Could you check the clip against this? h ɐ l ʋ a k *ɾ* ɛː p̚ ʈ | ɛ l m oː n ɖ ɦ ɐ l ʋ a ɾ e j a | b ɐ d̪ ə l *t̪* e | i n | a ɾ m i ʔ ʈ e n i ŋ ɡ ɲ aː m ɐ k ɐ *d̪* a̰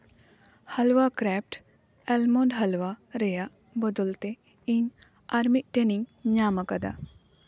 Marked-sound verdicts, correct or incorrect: correct, correct, correct

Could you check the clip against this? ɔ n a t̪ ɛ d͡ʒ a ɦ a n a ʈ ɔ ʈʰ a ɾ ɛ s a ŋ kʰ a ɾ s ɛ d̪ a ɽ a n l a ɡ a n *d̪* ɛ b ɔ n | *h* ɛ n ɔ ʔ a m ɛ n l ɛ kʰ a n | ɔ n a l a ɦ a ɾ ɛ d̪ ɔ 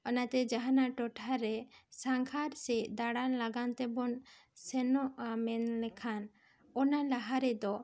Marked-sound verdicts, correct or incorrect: incorrect, incorrect

